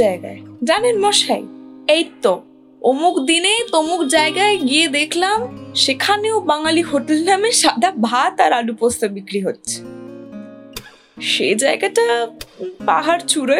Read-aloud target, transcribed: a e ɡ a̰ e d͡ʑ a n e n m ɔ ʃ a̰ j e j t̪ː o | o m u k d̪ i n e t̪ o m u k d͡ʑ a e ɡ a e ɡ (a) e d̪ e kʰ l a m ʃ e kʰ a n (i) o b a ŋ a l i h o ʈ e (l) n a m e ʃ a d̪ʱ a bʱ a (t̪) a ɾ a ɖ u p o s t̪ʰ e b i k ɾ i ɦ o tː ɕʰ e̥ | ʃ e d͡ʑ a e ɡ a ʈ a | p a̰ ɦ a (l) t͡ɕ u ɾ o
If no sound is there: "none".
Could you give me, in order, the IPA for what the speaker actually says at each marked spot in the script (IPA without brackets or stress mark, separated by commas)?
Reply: i, e, l, t̪, ɾ